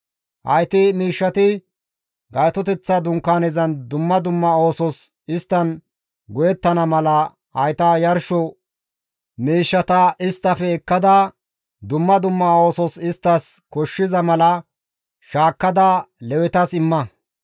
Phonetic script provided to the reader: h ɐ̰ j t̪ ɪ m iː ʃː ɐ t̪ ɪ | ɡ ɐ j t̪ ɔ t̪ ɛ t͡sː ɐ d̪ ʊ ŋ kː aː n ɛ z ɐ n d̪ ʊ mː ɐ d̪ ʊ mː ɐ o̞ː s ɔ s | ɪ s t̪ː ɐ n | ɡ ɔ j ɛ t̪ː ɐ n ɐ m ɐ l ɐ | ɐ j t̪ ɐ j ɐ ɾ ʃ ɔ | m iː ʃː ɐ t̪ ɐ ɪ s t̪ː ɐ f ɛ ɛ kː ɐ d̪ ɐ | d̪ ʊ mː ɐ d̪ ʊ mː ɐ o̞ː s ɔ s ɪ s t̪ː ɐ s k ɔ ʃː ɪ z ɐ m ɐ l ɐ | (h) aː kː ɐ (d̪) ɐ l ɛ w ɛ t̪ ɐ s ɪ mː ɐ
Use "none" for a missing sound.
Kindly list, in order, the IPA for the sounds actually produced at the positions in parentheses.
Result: ʃ, d̪

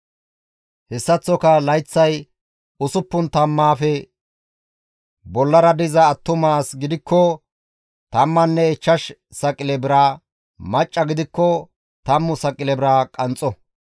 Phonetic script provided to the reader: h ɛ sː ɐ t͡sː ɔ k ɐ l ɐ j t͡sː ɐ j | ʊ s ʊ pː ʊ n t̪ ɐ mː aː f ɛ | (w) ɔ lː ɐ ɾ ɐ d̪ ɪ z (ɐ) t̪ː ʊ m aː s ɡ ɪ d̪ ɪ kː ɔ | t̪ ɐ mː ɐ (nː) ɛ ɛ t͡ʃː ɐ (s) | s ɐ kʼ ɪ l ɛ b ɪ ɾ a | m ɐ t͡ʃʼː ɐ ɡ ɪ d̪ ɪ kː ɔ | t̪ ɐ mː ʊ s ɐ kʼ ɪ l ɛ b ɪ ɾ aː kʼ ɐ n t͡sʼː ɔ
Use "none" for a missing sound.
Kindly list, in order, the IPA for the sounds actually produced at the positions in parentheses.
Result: b, ɐː, nː, ʃ

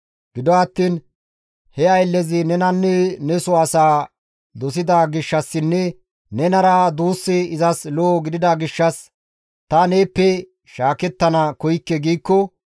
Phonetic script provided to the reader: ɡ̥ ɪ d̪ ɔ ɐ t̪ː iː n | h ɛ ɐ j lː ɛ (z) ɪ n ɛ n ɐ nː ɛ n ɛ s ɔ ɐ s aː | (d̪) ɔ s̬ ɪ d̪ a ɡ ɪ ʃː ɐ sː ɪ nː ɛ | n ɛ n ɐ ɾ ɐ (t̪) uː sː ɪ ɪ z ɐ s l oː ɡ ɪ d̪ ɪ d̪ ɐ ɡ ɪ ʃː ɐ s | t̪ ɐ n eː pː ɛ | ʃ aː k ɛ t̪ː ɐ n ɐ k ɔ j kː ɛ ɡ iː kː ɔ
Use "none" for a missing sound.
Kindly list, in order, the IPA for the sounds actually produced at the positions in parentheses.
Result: z, d̪, d̪

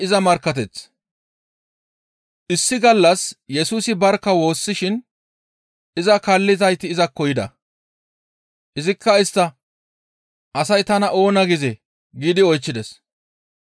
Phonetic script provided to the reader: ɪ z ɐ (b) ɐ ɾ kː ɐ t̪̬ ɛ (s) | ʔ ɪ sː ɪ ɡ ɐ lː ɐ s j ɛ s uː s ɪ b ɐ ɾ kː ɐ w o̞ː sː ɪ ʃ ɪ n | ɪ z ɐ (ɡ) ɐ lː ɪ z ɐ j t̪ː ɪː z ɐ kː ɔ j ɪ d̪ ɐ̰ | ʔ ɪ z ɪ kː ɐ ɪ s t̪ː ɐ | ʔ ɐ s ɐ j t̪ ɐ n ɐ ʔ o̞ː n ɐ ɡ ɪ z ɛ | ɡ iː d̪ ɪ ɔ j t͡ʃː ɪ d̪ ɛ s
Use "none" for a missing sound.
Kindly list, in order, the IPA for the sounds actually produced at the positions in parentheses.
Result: m, t͡s, k

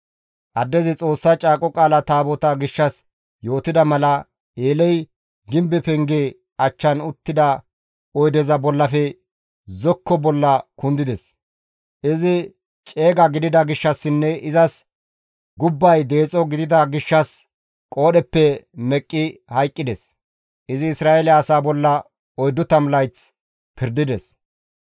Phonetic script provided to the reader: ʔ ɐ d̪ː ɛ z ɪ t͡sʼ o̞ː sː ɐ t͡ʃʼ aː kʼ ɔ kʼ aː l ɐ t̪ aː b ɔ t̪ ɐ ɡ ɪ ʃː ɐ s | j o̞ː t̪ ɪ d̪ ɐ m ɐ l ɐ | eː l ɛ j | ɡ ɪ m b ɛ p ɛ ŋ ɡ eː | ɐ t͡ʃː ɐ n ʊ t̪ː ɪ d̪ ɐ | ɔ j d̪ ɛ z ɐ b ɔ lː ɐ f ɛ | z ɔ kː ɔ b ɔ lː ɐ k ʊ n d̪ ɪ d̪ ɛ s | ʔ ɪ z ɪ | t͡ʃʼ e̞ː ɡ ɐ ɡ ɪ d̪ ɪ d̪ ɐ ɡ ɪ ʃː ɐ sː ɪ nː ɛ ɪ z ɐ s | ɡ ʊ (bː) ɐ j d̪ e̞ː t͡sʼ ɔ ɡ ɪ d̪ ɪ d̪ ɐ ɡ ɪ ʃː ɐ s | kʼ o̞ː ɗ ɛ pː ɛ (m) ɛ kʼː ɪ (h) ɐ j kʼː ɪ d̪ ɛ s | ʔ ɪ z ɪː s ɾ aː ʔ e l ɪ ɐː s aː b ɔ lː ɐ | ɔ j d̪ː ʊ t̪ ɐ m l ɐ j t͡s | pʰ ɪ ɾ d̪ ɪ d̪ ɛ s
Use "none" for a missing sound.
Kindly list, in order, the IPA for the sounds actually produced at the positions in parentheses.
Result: bː, m, h

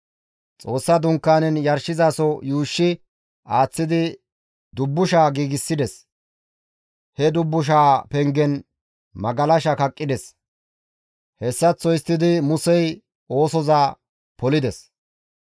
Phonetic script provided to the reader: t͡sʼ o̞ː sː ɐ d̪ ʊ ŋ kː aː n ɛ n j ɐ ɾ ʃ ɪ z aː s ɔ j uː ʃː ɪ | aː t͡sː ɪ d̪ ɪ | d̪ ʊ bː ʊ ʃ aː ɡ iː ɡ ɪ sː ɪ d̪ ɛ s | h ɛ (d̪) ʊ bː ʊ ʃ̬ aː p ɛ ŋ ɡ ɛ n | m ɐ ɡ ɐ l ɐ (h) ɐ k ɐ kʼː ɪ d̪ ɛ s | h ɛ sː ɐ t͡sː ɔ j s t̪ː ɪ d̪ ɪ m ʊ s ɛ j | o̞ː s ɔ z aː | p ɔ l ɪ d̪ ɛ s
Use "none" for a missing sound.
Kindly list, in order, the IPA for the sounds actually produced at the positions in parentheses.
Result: d̪, ʃ

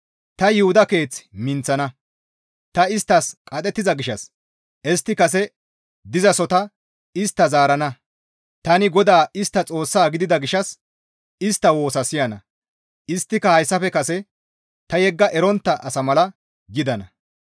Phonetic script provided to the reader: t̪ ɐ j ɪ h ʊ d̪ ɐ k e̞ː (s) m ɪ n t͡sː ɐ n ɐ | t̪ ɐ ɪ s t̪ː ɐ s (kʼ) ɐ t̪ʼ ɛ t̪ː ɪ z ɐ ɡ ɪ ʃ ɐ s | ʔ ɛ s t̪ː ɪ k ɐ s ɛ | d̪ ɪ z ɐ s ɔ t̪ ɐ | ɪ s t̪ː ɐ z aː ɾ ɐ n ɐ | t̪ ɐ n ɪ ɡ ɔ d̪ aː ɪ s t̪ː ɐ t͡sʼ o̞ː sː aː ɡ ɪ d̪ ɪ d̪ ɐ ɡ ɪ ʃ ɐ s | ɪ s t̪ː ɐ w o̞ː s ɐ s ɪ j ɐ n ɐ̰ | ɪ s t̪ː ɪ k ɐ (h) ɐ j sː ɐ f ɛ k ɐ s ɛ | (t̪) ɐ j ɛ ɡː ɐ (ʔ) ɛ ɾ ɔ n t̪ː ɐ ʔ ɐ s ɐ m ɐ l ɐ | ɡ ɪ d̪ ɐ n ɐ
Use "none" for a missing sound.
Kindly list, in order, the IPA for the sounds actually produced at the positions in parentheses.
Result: t͡s, kʼ, h, t̪, ʔ

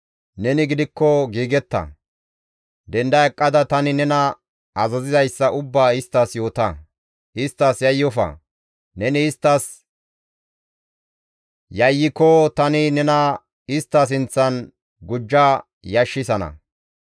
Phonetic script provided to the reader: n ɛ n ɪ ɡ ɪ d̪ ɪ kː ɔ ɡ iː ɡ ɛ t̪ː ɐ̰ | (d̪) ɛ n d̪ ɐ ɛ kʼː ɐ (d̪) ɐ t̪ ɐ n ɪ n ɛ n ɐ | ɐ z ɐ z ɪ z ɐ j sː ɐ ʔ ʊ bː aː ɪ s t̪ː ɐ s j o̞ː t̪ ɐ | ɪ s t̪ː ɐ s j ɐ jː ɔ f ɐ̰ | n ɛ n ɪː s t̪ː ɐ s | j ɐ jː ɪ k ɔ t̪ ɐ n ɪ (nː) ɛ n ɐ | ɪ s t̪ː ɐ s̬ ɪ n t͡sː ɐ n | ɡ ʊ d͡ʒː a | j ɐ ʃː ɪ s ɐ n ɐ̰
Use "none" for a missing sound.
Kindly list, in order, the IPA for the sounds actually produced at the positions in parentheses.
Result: d̪, d̪, n

